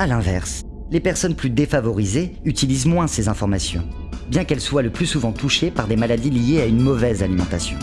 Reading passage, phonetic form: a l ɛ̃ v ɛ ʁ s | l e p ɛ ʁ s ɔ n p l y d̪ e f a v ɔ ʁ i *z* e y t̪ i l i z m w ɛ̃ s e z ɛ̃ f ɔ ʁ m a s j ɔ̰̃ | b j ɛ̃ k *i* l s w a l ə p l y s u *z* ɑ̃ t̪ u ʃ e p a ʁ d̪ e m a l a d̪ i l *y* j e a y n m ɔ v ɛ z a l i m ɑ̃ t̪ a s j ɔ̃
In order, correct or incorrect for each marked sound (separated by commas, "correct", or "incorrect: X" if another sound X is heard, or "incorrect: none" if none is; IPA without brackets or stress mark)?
correct, incorrect: ɛ, incorrect: v, incorrect: i